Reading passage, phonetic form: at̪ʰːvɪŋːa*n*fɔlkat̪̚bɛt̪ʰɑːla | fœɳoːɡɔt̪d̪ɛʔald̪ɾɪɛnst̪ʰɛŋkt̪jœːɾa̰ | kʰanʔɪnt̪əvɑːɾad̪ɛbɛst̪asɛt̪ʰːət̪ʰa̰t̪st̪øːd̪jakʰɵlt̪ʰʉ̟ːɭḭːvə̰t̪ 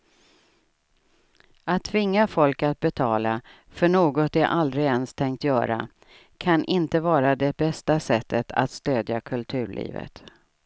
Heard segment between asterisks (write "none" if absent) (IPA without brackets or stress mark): none